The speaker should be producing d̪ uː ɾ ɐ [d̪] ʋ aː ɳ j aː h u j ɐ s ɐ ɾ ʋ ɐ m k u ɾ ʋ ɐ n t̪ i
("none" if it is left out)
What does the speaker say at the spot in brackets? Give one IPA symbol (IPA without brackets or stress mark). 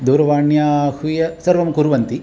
none